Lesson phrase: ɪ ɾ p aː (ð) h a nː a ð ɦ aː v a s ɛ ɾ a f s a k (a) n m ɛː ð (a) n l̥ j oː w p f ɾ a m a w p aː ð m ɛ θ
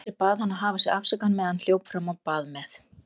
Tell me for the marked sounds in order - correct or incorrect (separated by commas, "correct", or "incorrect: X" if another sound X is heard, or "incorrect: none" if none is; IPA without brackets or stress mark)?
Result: correct, correct, correct